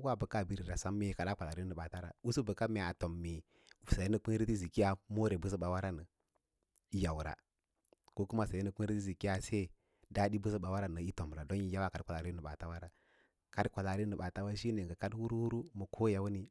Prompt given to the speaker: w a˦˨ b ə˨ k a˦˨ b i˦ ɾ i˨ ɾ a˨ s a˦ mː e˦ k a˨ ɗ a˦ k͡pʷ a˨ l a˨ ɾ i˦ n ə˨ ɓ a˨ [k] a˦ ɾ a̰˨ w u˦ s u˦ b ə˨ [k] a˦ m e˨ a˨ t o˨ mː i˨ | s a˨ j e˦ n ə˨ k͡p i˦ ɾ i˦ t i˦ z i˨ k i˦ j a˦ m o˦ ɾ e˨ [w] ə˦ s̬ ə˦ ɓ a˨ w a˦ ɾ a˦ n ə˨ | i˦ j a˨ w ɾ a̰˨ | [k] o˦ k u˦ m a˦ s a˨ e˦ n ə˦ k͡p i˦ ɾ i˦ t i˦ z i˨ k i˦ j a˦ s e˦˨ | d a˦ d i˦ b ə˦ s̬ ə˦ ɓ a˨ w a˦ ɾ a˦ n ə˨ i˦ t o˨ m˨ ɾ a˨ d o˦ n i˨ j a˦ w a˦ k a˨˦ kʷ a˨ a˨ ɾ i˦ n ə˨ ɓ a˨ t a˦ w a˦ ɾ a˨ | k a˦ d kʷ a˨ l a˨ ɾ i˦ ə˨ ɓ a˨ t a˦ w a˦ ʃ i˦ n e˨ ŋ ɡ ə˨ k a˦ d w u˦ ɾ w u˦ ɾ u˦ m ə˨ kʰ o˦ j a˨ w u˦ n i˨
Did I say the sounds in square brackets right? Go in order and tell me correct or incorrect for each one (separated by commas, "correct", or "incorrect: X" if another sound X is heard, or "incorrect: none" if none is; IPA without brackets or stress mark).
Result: incorrect: t, correct, incorrect: b, correct